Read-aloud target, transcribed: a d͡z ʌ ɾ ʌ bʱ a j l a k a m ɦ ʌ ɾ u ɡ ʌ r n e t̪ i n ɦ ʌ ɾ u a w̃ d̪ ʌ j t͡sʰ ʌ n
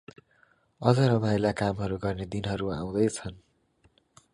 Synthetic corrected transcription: ʌ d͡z ʌ ɾ ʌ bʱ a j l a k a m ɦ ʌ ɾ u ɡ ʌ r n e d̪ i n ɦ ʌ ɾ u a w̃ d̪ ʌ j t͡sʰ ʌ n